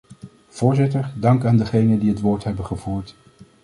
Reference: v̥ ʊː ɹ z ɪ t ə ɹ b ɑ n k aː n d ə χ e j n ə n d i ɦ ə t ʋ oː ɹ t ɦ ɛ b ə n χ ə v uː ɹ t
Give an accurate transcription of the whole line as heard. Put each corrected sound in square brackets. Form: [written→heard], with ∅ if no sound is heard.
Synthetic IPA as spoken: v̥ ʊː ɹ z ɪ t ə ɹ [b→d] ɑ [n→ŋ] k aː n d ə χ e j n ə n d i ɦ ə t ʋ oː ɹ t ɦ ɛ b ə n χ ə v uː ɹ t